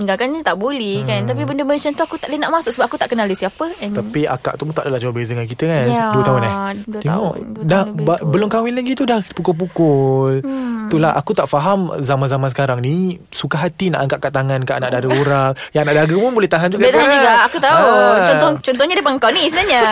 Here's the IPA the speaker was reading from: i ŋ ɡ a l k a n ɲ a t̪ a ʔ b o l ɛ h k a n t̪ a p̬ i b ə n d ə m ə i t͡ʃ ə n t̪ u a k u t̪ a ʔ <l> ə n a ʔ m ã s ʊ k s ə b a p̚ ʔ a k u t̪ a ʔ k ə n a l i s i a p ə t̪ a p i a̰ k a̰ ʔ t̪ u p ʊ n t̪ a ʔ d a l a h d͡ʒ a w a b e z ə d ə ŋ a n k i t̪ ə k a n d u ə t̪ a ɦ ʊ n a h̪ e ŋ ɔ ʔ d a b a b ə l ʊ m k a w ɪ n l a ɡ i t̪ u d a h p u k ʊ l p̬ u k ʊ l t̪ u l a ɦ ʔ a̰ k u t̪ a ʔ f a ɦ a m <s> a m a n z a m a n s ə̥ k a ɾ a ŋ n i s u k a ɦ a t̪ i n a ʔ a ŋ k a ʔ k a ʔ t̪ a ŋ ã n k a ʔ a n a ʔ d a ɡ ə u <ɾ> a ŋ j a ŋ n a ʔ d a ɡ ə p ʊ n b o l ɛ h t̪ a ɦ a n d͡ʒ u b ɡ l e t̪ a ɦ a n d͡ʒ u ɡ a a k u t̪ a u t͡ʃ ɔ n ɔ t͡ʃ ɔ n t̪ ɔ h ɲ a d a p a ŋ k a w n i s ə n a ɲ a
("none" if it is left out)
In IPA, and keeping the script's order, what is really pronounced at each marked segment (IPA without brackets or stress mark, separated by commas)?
l, z, ɾ